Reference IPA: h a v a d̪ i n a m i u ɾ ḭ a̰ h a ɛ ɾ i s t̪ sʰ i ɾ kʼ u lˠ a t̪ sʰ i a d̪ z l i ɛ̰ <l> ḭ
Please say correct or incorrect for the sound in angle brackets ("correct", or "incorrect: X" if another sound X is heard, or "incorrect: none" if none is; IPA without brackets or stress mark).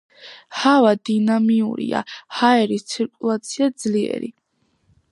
incorrect: ɾ